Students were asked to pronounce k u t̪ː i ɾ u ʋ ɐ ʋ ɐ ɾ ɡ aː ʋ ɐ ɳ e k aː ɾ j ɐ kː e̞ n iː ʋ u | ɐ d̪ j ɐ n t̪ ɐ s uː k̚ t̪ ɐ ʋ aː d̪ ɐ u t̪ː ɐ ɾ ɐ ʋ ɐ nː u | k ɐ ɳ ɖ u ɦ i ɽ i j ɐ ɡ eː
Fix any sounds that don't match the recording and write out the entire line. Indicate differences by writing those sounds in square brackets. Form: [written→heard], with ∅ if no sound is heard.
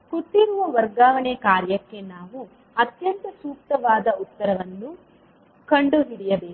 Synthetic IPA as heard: k u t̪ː i ɾ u ʋ ɐ ʋ ɐ ɾ ɡ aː ʋ ɐ ɳ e k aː ɾ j ɐ kː e̞ n [iː→aː] ʋ u | ɐ [d̪→t̪] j ɐ n t̪ ɐ s uː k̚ t̪ ɐ ʋ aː d̪ ɐ u t̪ː ɐ ɾ ɐ ʋ ɐ nː u | k ɐ ɳ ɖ u ɦ i ɽ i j ɐ [ɡ→b] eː